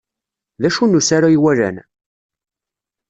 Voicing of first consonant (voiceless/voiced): voiced